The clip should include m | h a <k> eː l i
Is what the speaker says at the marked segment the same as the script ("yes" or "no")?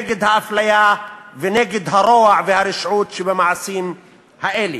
no